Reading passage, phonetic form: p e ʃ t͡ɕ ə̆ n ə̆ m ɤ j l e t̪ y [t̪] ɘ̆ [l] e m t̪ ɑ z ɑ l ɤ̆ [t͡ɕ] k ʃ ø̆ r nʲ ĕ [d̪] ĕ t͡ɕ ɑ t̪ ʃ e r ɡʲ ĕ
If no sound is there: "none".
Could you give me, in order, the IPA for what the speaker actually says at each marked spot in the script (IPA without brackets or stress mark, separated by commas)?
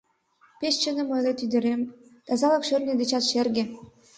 d̪, ɾ, none, d̪